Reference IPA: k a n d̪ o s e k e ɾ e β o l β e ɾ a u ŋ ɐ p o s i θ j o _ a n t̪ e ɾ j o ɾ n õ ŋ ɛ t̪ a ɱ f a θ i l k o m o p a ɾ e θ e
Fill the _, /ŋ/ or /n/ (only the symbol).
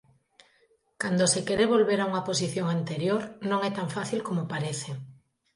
ŋ